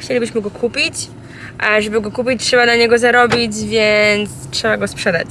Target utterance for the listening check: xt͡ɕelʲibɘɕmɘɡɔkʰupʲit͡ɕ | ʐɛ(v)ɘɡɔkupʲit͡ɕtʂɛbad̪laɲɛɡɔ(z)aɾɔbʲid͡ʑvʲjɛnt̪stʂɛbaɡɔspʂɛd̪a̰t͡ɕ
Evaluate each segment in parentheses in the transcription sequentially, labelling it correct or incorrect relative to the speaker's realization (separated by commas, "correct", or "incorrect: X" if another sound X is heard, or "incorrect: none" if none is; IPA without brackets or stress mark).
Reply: incorrect: b, correct